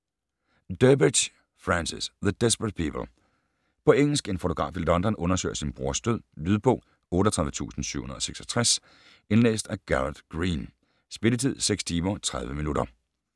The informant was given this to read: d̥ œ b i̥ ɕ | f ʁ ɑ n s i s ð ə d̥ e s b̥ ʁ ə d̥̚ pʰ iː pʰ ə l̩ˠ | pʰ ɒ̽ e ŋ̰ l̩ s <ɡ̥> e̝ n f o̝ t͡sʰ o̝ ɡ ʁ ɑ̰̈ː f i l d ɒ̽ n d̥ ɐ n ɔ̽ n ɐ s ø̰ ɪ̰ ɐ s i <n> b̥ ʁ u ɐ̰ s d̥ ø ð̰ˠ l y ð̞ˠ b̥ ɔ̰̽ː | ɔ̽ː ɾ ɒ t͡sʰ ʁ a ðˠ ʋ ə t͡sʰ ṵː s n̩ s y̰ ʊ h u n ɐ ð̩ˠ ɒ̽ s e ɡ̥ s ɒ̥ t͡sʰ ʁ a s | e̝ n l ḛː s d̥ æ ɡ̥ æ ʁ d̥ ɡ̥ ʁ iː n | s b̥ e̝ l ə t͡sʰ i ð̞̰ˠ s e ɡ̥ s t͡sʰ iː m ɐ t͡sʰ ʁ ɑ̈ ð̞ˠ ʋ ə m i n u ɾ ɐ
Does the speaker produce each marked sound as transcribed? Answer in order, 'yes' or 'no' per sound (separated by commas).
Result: yes, yes